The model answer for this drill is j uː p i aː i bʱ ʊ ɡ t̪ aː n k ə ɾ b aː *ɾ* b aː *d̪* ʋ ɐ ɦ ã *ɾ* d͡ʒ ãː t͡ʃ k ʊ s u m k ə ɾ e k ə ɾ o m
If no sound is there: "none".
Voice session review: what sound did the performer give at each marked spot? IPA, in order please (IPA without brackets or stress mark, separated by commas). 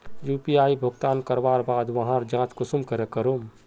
ɾ, d̪, ɾ